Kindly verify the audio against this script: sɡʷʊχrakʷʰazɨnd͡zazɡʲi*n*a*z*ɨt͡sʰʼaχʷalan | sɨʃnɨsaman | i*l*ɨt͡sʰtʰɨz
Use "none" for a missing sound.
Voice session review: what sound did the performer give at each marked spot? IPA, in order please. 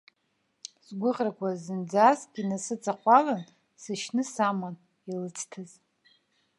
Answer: n, s, l

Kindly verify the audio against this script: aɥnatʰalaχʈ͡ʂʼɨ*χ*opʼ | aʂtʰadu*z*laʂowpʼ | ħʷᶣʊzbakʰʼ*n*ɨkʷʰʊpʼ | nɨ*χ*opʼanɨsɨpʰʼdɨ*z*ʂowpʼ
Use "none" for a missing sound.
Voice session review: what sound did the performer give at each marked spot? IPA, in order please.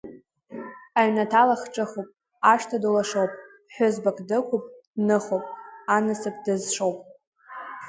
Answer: χ, none, d, χ, z

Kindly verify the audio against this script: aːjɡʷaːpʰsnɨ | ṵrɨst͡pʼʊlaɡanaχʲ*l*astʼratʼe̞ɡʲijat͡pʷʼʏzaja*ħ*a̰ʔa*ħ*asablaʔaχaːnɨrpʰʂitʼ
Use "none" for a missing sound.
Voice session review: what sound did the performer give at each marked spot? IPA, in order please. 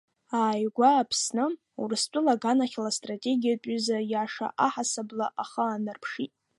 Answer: l, ʂ, ħ

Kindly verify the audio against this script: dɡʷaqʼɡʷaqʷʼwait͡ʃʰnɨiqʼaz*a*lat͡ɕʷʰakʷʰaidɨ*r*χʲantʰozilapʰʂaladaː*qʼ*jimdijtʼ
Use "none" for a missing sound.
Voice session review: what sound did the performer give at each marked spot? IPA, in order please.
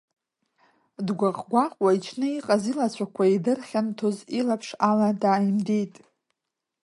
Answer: i, r, none

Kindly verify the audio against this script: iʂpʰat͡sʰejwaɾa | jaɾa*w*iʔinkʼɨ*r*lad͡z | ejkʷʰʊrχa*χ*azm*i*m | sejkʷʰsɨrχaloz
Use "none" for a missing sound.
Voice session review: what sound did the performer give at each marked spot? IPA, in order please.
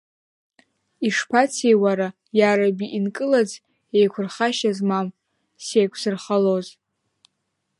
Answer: b, none, ʃ, a

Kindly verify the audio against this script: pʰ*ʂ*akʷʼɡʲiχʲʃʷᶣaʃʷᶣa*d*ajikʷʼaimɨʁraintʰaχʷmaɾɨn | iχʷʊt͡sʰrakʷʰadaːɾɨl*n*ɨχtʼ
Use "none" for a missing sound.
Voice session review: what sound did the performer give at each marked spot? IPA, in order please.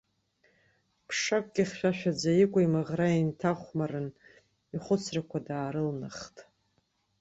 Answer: ʂ, d͡z, n

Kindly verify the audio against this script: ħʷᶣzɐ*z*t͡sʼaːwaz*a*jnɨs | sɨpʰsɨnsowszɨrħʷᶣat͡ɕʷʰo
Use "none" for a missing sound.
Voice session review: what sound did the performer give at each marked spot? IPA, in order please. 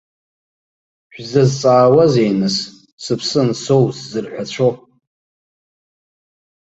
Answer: z, e

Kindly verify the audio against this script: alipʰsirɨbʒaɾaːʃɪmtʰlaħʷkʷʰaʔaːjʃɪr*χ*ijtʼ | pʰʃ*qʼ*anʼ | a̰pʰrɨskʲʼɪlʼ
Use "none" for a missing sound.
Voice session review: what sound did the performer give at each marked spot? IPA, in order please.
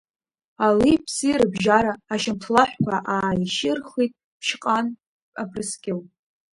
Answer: χ, qʼ

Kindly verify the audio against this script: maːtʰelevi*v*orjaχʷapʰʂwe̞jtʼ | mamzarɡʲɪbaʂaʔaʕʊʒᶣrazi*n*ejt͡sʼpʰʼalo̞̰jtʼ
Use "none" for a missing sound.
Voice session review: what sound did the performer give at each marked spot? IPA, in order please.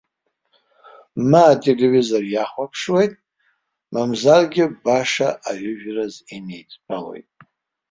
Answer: z, n

